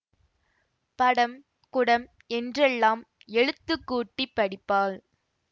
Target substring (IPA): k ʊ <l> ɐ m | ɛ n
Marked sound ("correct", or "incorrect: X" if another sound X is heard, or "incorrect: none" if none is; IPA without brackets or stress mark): incorrect: ɽ